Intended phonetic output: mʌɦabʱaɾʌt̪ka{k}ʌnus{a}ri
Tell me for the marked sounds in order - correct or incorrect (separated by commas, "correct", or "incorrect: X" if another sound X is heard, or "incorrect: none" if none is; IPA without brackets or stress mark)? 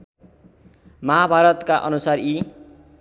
incorrect: ʔ, correct